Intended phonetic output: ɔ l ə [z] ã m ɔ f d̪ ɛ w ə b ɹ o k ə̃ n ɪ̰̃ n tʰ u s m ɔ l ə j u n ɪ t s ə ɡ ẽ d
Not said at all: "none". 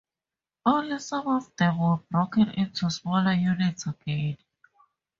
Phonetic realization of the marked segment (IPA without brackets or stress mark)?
s